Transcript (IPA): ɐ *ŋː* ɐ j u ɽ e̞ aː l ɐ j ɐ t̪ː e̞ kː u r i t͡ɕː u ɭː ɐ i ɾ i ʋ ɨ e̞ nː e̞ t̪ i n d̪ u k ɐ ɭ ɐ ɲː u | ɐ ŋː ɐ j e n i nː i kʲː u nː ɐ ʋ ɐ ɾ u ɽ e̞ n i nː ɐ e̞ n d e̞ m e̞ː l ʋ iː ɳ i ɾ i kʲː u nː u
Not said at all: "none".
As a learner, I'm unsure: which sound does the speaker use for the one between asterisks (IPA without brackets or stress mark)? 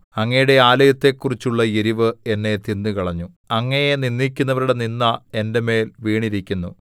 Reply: ŋː